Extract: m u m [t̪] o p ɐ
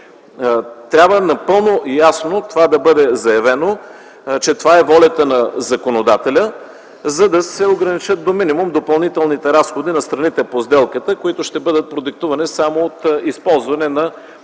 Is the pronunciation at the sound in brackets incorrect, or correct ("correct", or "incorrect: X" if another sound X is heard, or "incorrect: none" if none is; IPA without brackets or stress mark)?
incorrect: d̪